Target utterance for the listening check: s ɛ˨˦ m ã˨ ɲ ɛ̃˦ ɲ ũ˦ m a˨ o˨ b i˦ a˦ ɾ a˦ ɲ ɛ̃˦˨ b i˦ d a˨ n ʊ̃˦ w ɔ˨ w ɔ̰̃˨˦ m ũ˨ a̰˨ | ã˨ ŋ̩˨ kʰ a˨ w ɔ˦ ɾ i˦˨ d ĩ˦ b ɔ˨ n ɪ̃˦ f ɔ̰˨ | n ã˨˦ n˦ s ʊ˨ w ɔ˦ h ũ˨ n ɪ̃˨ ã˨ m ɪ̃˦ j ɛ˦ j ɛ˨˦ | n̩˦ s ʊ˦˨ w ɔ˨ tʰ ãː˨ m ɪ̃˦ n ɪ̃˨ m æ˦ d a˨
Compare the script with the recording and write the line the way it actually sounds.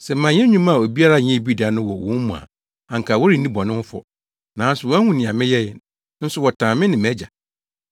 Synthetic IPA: s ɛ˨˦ m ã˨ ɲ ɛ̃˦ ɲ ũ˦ m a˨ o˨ b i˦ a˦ ɾ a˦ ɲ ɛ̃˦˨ b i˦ d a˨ n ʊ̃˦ w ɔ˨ w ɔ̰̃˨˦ m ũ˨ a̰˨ | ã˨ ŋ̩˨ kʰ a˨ w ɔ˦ ɾ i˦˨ n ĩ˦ b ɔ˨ n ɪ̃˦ f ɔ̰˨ | n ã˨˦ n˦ s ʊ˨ w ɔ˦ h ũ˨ n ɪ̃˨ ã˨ m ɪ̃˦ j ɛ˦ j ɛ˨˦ | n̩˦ s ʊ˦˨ w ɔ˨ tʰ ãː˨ m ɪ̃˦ n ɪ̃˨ m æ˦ d͡ʑ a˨